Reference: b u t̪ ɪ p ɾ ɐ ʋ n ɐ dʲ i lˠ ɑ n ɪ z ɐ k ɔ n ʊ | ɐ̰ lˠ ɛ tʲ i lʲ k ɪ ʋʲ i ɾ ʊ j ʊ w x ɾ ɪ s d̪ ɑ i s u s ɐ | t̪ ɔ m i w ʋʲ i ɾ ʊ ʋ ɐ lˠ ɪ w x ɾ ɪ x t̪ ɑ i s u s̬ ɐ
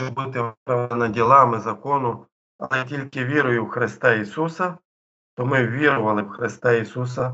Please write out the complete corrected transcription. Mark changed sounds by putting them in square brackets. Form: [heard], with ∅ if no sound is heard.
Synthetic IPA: b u t̪ ɪ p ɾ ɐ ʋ n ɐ dʲ i lˠ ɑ [m] ɪ z ɐ k ɔ n ʊ | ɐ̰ lˠ ɛ tʲ i lʲ k ɪ ʋʲ i ɾ ʊ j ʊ w x ɾ ɪ s [t̪] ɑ i s u s ɐ | t̪ ɔ m [ɪ] w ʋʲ i ɾ ʊ ʋ ɐ lˠ ɪ w x ɾ ɪ [s] t̪ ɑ i s u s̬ ɐ